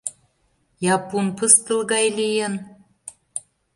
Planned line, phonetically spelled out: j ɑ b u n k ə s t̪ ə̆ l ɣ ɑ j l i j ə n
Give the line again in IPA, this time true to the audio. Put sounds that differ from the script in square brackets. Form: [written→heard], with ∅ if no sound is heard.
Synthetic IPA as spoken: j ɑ [b→p] u n [k→p] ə s t̪ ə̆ l ɣ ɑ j l i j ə n